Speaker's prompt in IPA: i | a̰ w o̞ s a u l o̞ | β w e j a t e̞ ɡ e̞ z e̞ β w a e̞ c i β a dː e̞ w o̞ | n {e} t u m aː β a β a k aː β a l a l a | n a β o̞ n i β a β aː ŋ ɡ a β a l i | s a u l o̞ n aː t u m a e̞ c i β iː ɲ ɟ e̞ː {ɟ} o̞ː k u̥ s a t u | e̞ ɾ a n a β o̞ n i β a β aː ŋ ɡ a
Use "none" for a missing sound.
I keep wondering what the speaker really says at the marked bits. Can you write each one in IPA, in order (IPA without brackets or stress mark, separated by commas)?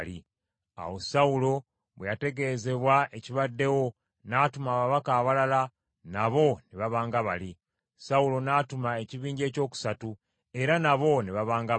a, c